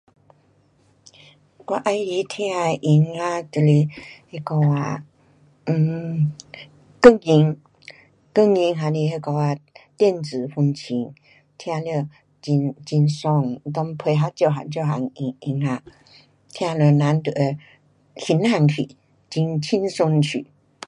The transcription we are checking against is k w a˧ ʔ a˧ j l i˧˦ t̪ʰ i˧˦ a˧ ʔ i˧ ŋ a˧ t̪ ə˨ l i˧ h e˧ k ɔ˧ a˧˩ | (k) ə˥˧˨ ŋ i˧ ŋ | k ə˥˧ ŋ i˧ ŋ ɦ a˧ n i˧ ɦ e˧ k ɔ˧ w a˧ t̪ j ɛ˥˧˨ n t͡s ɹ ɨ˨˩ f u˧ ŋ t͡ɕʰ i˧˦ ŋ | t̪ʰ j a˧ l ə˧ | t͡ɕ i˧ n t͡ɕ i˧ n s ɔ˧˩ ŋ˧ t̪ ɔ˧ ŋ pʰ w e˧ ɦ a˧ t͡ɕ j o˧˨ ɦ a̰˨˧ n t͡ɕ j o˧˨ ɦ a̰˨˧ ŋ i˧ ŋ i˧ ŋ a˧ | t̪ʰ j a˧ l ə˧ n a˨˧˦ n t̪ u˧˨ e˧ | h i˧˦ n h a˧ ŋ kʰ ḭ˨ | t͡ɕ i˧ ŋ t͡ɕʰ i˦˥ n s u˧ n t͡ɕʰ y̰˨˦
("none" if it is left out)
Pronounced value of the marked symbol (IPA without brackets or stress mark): k